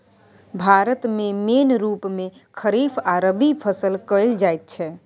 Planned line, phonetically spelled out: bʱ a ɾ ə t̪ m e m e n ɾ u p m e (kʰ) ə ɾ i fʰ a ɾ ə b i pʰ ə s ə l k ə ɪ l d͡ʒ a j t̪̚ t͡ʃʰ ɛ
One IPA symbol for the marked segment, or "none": kʰ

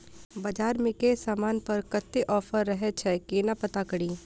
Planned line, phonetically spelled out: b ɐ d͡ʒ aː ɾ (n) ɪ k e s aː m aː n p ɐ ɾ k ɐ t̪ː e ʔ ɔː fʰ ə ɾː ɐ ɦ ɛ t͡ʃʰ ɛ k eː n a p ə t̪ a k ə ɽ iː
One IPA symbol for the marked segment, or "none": m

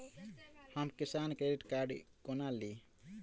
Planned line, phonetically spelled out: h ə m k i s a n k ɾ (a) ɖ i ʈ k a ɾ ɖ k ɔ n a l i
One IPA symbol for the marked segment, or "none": e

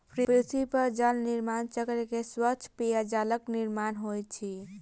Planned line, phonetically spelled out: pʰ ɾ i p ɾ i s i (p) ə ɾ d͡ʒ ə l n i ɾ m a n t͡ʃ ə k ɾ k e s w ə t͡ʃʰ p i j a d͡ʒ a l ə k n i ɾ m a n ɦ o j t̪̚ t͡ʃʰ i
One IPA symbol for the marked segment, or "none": p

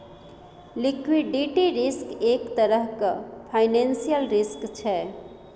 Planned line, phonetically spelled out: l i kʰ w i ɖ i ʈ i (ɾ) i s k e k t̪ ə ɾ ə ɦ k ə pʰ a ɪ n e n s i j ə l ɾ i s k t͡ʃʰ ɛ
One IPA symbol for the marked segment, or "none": ɾ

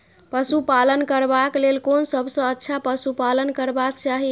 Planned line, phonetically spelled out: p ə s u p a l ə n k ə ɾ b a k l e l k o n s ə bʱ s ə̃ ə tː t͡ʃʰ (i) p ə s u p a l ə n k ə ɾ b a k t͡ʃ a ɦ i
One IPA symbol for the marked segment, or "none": a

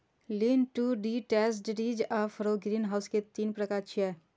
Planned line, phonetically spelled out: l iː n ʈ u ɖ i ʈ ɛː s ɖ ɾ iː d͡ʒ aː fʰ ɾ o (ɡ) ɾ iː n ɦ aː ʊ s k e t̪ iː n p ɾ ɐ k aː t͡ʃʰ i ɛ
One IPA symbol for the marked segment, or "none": ɡ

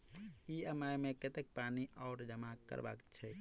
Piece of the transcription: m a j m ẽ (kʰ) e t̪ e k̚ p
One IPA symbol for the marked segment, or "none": k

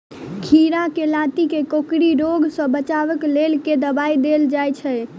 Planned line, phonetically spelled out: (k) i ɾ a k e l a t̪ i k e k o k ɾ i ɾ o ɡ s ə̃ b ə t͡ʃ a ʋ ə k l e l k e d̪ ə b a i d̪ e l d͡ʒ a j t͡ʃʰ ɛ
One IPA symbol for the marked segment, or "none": kʰ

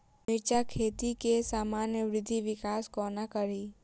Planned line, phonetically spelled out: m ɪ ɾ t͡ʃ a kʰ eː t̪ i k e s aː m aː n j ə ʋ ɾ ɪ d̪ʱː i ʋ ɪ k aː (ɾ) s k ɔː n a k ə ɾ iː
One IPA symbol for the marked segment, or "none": none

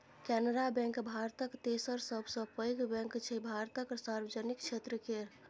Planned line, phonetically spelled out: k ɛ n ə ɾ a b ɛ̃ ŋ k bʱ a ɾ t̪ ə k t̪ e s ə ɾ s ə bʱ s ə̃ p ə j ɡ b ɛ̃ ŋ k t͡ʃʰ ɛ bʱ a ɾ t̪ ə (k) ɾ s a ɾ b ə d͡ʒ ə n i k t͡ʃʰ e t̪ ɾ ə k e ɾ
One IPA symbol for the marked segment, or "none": k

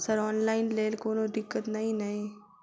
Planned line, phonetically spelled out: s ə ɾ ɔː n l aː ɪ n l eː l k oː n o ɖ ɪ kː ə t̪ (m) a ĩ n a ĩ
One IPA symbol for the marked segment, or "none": n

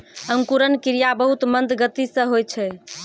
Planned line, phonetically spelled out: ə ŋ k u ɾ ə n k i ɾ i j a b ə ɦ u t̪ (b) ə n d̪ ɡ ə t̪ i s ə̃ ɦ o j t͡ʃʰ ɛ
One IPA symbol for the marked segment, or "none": m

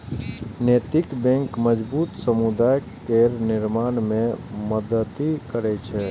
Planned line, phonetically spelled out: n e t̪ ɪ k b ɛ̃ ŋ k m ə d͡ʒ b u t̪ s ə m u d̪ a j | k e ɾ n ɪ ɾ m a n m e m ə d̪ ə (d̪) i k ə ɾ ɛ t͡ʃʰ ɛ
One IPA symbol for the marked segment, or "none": t̪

